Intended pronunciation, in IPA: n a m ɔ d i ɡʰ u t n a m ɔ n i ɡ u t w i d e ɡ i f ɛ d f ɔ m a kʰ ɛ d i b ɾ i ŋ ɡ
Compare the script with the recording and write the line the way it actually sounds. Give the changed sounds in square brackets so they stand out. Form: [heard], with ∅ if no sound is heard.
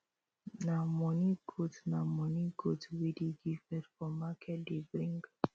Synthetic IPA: n a m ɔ [n] i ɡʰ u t n a m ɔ n i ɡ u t w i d [i] ɡ i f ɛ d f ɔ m a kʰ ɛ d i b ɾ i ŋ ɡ